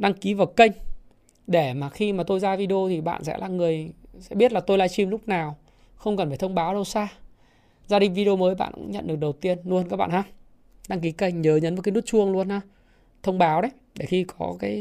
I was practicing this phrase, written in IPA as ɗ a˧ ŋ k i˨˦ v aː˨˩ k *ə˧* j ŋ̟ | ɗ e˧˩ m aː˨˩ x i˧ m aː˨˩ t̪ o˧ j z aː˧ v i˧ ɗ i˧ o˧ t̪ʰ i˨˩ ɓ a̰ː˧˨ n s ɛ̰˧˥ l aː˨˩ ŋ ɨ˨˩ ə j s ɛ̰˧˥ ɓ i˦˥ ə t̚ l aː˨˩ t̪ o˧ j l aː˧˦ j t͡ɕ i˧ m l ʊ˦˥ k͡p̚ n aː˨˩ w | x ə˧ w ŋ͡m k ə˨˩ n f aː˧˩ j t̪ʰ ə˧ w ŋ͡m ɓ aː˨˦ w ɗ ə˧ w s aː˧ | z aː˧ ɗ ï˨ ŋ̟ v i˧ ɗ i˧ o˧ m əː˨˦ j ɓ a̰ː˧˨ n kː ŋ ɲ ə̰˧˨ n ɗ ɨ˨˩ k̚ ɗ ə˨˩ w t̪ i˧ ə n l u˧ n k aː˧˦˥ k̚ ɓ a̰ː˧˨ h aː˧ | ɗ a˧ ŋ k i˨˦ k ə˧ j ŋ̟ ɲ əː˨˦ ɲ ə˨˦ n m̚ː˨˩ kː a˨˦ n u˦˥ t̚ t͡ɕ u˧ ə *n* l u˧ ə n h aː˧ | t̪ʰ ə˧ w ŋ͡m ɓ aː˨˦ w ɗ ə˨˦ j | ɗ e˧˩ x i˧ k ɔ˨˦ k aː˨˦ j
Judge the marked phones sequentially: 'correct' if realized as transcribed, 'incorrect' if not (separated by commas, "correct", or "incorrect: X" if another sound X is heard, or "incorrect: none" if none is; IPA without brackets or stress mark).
correct, incorrect: ŋ